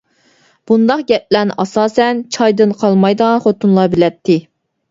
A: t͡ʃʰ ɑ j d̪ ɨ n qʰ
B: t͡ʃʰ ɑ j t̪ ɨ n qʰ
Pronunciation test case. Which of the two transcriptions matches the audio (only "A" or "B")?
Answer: A